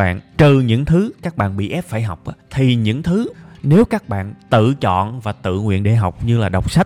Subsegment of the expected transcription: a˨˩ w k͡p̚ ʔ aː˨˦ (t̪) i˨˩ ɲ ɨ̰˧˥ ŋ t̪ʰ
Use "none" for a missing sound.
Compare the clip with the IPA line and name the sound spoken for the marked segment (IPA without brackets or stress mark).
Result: t̪ʰ